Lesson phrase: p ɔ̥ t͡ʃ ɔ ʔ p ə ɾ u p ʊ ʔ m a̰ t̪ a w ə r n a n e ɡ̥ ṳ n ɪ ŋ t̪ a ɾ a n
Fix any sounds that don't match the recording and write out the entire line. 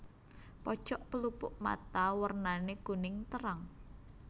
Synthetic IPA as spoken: p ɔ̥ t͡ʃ ɔ ʔ p ə l u p ʊ ʔ m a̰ t̪ a w ə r n a n e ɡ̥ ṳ n ɪ ŋ t̪ ə ɾ a ŋ